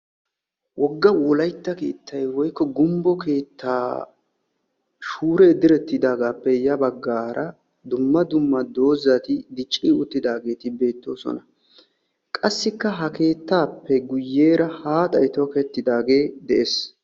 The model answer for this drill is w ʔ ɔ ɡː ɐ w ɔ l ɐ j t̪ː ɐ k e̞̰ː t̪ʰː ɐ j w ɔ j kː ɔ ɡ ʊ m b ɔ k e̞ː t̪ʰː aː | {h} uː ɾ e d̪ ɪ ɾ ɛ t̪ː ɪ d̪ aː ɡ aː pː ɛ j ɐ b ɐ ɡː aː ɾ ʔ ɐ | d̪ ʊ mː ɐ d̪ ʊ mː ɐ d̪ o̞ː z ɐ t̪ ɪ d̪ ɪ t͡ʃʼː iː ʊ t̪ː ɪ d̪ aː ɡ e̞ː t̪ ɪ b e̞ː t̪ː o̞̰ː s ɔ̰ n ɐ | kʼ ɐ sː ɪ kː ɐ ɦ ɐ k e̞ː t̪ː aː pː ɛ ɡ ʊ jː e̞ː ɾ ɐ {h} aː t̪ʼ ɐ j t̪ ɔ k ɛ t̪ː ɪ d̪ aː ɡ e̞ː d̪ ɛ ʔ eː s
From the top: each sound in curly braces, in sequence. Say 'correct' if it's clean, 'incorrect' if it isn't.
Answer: incorrect: ʃ, correct

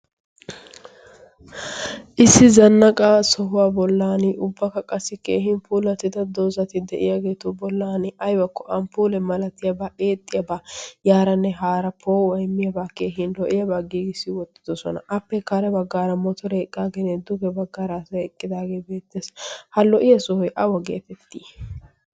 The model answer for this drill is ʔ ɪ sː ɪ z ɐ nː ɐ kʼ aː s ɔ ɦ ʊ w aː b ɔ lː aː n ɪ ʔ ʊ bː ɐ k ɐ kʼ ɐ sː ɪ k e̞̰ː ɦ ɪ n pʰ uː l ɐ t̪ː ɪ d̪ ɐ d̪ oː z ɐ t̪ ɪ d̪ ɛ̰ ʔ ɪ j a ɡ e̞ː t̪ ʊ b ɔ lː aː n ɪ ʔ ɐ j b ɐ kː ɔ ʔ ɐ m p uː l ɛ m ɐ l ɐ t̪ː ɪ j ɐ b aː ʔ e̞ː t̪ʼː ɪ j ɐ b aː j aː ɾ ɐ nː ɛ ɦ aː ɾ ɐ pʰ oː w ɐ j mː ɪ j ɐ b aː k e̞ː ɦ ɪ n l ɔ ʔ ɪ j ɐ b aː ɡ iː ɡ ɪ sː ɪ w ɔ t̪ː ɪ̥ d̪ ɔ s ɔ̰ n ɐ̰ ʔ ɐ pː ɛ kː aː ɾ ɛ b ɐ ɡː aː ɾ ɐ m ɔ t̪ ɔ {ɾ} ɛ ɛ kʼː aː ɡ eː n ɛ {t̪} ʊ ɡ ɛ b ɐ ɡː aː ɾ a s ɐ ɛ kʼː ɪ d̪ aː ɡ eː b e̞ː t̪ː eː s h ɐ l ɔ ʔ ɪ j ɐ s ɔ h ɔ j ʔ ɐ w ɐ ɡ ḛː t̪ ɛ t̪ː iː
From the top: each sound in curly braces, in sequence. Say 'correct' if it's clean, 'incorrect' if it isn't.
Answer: correct, incorrect: d̪

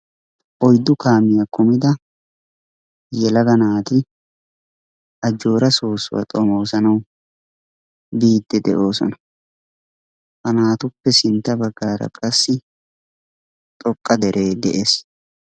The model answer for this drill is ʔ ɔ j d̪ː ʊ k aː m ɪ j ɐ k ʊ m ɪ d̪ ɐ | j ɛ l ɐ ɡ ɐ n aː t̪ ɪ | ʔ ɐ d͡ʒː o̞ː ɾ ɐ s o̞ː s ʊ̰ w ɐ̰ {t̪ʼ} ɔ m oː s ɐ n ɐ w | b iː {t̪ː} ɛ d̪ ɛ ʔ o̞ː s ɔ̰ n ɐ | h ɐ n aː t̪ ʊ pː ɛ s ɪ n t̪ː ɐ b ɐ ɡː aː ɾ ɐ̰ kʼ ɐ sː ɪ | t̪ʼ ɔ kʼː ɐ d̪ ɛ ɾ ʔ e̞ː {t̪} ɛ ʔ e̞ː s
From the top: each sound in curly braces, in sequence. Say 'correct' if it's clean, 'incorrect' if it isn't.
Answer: correct, incorrect: d̪ː, incorrect: d̪

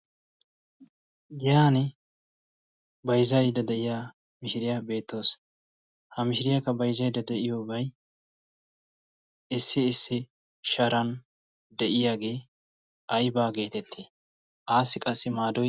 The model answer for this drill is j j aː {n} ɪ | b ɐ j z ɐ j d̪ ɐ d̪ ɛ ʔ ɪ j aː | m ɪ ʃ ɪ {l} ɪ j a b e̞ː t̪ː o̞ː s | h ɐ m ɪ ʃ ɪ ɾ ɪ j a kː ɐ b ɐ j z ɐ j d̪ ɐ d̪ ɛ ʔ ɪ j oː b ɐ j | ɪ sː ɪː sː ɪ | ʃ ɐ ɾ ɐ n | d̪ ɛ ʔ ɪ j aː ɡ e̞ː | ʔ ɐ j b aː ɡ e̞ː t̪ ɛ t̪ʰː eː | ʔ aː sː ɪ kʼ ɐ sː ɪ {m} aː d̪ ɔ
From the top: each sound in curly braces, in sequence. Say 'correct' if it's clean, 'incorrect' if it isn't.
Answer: correct, incorrect: ɾ, correct

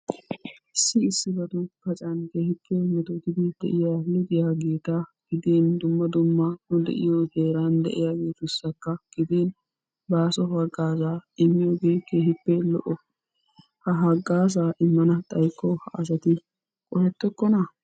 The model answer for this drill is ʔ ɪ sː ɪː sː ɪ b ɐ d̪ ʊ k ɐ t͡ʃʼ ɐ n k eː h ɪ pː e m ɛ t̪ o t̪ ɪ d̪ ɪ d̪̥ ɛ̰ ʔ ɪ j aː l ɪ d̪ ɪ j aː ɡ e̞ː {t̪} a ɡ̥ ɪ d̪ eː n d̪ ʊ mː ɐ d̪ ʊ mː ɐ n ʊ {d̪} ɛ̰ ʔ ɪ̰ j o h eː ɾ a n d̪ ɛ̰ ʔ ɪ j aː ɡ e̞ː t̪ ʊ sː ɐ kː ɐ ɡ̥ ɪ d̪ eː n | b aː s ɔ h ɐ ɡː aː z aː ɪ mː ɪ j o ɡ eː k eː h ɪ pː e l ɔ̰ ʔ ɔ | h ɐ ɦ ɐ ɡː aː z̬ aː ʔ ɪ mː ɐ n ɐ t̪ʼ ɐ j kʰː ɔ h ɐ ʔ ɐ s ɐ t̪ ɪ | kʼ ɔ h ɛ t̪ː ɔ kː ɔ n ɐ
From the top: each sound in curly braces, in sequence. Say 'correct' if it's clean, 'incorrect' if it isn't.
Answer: correct, correct

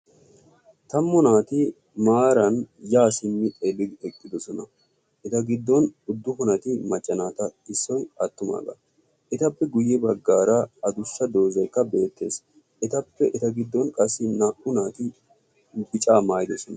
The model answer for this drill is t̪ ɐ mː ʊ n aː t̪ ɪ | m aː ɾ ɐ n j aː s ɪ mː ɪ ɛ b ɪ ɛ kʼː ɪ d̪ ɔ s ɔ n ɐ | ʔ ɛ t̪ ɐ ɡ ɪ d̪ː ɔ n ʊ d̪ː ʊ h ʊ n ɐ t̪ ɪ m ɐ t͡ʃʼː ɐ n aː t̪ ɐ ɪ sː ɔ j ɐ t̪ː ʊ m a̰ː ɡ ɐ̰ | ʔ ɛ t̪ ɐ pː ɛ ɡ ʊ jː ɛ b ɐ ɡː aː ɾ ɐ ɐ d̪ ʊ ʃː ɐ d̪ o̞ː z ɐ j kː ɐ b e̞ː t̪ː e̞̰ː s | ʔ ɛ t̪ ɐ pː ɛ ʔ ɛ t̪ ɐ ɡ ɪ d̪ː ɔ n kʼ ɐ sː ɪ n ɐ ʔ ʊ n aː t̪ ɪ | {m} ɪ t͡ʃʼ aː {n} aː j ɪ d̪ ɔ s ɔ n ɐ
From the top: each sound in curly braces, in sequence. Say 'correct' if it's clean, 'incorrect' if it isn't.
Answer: incorrect: b, incorrect: m

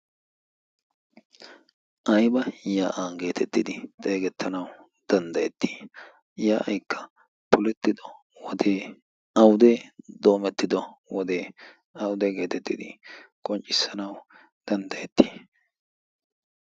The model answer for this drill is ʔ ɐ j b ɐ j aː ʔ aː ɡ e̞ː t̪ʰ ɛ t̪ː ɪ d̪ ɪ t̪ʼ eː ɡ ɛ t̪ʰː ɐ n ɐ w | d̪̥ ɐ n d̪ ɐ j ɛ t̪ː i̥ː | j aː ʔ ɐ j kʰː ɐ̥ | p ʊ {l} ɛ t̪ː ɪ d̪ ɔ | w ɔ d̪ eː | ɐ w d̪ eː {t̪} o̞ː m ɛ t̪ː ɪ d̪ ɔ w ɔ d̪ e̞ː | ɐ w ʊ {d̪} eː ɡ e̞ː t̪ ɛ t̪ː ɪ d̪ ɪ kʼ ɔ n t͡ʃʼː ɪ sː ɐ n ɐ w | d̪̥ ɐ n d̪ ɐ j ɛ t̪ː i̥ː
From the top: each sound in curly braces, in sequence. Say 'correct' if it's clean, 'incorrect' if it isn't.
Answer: correct, incorrect: d̪, correct

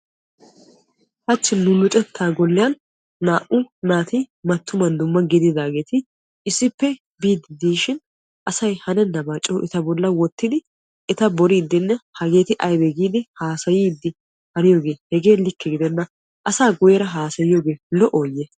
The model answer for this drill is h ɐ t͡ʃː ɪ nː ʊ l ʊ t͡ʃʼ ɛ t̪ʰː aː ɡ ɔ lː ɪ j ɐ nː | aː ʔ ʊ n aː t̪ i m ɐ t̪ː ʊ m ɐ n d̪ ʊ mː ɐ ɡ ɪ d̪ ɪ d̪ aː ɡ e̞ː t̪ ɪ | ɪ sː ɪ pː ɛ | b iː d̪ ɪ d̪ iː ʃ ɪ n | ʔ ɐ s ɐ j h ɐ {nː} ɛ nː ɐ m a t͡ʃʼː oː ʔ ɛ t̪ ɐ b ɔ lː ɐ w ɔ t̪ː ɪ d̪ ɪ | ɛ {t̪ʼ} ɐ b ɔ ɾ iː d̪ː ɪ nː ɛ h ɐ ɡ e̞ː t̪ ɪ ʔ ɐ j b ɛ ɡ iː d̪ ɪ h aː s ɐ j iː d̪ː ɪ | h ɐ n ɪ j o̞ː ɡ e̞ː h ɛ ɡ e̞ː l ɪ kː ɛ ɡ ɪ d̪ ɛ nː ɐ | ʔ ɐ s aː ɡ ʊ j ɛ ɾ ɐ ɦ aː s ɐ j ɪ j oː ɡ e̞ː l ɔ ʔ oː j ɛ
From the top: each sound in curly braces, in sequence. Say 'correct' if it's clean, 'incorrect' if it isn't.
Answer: incorrect: n, incorrect: t̪

